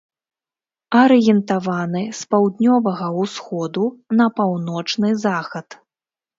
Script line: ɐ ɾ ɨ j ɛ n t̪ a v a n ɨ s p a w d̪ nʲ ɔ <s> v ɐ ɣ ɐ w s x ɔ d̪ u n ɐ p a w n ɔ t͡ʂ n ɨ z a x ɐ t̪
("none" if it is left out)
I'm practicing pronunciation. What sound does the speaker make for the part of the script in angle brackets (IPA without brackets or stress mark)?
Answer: none